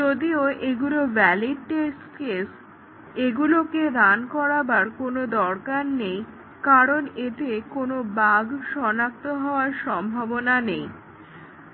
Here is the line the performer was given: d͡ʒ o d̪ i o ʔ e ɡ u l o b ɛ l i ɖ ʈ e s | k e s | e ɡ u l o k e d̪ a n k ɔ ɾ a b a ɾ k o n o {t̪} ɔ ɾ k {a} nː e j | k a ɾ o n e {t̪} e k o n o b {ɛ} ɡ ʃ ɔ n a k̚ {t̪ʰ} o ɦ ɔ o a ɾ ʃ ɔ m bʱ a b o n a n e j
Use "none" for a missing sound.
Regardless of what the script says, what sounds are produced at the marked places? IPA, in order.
d̪, a, t̪, a, t̪

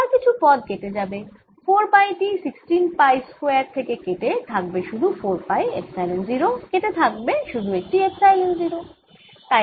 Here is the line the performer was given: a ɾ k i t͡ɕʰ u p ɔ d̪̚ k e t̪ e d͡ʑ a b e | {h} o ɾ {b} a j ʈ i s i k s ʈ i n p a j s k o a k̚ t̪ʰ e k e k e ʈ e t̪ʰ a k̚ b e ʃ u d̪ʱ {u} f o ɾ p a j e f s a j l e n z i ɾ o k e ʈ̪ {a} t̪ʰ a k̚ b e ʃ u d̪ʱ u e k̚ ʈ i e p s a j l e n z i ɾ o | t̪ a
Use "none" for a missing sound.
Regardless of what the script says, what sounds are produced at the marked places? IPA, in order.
f, p, u, e

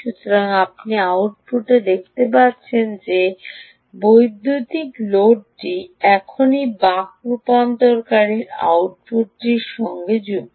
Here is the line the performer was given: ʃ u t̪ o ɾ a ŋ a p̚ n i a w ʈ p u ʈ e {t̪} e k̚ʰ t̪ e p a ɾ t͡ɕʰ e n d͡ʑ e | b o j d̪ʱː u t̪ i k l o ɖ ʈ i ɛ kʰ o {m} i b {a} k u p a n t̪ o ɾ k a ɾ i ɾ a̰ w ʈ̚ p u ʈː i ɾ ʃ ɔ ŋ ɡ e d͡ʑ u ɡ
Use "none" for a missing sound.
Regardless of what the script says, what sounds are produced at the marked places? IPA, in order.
d̪, n, a

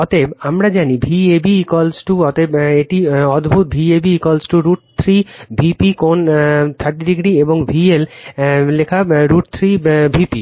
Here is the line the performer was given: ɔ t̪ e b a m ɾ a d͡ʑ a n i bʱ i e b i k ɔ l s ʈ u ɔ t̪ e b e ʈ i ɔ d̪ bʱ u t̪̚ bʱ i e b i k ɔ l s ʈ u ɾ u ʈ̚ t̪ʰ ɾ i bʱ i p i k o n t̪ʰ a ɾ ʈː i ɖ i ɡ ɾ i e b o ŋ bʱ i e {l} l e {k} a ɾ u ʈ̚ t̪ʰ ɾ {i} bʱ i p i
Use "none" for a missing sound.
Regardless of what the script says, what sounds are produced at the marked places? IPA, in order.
l, kʰ, i

